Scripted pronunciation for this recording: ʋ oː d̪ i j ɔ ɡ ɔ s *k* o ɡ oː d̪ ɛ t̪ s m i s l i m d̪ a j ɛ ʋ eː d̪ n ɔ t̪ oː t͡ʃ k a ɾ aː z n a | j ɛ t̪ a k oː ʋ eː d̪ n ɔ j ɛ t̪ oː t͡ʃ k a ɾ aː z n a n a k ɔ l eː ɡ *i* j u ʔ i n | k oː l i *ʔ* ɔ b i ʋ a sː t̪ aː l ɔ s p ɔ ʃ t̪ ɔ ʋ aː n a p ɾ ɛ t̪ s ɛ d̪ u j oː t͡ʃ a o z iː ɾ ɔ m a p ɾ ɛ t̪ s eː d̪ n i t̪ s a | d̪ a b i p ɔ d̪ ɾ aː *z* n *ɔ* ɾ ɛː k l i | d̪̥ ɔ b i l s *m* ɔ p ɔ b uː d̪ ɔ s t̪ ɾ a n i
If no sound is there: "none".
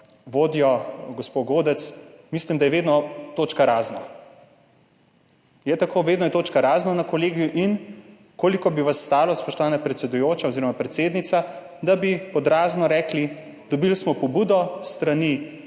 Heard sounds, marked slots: p, i, k, z, ɔ, m

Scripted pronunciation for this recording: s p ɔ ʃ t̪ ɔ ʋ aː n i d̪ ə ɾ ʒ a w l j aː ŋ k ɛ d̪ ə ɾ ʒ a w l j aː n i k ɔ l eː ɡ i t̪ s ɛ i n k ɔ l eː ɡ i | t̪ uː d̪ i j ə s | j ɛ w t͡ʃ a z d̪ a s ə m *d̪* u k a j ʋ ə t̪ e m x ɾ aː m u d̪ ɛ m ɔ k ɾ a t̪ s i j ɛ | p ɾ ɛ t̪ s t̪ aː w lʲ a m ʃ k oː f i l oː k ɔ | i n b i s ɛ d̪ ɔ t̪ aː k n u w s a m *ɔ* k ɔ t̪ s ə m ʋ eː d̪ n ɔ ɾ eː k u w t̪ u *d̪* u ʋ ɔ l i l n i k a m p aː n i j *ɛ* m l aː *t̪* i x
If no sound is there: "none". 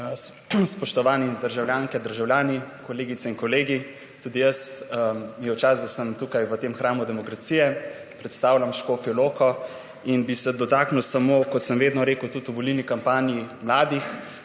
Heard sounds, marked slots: t̪, o, t̪, i, d̪

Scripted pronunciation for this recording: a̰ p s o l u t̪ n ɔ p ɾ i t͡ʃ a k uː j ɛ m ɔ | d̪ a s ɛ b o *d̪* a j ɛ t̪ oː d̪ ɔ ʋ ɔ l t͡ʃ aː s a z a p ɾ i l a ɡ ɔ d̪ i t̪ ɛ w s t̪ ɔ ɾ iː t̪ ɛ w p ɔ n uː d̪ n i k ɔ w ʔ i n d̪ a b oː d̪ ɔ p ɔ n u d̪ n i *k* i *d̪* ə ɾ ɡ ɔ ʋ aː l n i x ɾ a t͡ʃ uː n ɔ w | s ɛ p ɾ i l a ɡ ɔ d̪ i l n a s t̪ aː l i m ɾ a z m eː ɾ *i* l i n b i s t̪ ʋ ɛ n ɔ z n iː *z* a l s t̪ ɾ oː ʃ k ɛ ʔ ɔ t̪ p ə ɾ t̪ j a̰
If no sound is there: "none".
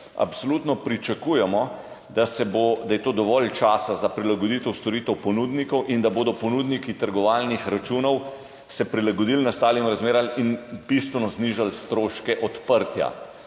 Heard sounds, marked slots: d̪, k, t̪, a, ʒ

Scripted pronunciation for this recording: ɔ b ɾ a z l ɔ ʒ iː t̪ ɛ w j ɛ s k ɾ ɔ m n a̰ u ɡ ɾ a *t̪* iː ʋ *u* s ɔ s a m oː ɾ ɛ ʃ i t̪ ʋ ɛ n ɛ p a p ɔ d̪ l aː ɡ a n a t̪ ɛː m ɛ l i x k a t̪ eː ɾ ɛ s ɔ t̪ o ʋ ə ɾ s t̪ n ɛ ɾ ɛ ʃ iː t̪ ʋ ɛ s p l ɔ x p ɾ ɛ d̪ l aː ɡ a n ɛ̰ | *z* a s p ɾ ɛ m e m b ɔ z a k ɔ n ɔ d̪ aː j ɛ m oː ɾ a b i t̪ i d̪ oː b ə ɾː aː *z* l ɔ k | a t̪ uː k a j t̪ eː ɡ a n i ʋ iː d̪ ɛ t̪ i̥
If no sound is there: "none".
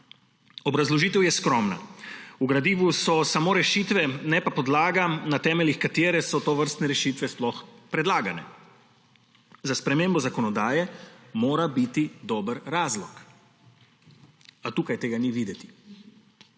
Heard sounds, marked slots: d̪, u, z, z

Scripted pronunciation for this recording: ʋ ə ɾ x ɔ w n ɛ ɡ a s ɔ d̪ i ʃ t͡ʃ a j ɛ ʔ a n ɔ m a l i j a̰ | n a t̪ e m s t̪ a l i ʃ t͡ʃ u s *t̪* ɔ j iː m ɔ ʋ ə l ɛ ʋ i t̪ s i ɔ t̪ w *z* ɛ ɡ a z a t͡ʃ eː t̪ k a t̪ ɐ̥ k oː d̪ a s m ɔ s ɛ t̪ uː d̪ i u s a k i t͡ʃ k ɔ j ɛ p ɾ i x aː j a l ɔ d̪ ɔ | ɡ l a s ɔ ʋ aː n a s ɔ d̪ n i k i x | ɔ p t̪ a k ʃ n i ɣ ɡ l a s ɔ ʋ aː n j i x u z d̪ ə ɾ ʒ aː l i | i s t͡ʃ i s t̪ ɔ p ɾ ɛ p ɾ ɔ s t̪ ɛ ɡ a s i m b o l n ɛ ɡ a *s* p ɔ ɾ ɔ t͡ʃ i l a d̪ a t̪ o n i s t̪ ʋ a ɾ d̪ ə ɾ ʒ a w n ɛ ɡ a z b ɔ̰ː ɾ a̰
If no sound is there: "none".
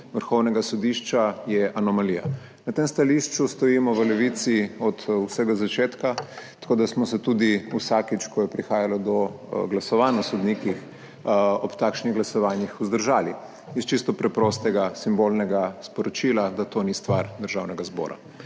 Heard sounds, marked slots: t̪, s, s

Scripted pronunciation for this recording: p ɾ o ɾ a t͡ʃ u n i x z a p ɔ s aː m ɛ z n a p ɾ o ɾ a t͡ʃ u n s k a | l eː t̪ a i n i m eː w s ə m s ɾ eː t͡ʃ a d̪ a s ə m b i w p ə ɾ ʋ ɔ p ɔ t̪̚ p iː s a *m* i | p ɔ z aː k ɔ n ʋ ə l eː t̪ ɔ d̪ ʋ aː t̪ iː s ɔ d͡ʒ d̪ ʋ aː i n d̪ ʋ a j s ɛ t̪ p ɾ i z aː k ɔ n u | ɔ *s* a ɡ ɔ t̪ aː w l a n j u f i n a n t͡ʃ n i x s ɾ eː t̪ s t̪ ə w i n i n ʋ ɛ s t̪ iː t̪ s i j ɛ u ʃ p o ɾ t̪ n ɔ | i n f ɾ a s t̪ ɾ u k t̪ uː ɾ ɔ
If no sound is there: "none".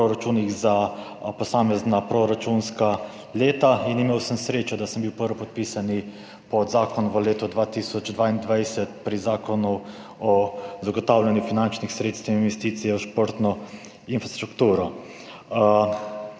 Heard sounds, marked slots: n, z

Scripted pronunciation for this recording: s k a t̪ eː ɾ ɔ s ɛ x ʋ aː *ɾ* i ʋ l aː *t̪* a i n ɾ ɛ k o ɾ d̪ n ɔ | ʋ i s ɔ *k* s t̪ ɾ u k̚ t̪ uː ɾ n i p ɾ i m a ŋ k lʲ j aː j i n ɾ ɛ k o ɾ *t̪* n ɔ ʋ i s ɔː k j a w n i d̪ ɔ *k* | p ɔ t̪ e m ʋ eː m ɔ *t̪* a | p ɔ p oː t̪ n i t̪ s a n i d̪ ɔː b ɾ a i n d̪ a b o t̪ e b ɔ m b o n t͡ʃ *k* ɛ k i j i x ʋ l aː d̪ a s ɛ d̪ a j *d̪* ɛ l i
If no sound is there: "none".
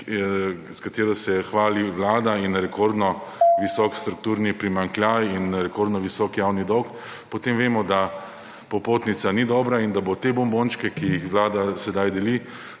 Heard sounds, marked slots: l, d̪, k, d̪, k, d̪, k, d̪

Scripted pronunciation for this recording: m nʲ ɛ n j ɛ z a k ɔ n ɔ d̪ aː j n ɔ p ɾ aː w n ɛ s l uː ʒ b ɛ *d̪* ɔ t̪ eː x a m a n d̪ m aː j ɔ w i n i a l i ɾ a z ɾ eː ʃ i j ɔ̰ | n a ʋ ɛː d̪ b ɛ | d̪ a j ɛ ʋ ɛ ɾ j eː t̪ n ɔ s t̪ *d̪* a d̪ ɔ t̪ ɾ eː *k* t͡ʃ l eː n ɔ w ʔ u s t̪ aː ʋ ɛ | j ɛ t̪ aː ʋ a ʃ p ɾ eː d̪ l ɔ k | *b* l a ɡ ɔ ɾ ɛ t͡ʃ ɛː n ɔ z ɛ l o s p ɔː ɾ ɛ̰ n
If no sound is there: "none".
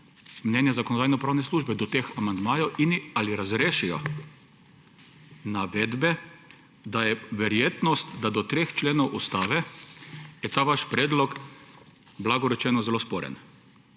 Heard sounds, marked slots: d̪, d̪, x, b

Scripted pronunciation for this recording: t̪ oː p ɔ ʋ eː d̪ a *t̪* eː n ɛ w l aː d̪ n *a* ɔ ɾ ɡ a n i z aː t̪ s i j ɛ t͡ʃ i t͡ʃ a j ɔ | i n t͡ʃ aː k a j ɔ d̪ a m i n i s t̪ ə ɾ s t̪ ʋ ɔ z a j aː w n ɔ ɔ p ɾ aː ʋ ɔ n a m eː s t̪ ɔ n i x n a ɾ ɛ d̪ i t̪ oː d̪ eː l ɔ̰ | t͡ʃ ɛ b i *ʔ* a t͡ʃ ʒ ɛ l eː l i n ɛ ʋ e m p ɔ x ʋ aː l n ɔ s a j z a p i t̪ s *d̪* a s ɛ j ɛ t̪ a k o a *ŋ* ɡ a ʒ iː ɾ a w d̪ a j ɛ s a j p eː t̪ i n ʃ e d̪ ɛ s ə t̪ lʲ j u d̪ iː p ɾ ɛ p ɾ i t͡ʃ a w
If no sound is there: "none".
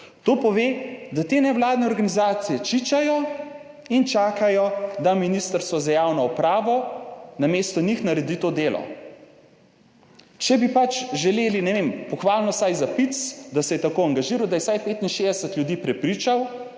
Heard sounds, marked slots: t̪, ɛ, p, d̪, ŋ

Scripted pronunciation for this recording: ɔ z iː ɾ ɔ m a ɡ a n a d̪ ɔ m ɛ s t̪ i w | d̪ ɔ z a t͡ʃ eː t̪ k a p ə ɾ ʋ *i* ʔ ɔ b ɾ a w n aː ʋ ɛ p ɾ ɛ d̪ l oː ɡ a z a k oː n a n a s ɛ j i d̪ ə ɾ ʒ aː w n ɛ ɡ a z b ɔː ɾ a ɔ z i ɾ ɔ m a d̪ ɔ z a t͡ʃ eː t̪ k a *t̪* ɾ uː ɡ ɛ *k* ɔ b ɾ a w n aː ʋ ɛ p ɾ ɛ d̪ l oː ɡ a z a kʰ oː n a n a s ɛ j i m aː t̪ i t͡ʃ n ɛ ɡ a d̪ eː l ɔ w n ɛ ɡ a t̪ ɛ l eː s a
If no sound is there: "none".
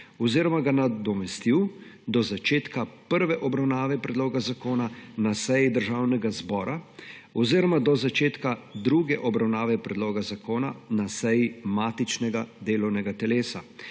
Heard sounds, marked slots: ɛ, d̪, ʔ

